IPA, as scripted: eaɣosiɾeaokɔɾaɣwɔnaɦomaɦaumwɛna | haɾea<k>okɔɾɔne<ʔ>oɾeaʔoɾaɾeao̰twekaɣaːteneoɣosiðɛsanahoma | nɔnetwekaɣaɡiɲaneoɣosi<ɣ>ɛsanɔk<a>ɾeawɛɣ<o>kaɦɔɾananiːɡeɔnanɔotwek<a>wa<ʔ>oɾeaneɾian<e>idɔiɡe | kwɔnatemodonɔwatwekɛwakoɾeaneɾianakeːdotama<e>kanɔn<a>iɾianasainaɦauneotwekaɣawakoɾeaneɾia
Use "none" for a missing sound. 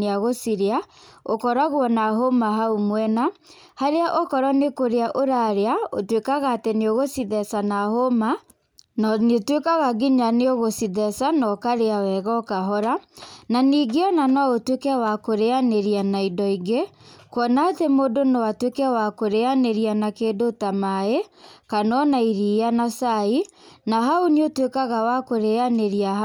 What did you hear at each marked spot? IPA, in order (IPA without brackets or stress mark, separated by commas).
ʔ, k, ð, a, ɔ, ɛ, k, a, e, a